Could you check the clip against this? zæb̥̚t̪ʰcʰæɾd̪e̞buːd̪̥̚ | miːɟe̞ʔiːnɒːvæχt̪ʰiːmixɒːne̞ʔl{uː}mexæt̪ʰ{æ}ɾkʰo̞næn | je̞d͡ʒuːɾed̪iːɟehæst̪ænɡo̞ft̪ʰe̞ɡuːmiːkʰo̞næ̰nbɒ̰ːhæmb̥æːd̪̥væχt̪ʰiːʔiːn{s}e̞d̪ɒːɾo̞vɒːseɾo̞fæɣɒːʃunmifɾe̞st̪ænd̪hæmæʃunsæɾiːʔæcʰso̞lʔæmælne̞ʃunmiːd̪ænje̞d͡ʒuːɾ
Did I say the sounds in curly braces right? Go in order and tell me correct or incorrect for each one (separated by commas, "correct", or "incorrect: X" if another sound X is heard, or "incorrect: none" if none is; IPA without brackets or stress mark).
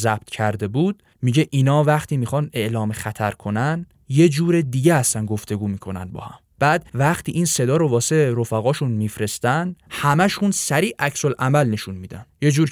incorrect: ɒː, correct, correct